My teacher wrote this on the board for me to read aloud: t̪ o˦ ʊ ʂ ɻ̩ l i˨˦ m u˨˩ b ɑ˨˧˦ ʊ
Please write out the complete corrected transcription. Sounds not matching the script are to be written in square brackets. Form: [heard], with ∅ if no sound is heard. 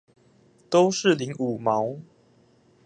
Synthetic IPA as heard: t̪ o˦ ʊ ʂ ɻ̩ l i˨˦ [ŋ] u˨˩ [m] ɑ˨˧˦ ʊ